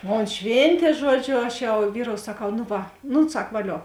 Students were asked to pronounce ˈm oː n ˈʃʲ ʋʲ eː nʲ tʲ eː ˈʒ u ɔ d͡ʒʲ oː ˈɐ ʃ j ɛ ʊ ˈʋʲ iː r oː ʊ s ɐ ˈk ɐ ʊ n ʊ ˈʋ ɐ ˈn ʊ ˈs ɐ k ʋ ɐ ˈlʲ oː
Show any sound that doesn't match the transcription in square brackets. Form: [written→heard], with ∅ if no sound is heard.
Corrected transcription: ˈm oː n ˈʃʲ ʋʲ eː nʲ tʲ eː ˈʒ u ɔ d͡ʒʲ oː ˈɐ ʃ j ɛ ʊ ˈʋʲ iː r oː ʊ s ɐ ˈk ɐ ʊ n ʊ ˈʋ ɐ ˈn ʊ ˈs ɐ k ʋ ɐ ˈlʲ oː